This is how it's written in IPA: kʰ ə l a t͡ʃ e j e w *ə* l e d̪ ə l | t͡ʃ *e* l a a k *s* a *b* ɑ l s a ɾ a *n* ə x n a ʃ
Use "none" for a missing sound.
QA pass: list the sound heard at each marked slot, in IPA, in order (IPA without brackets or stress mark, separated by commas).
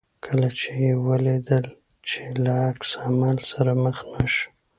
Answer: ə, e, s, m, m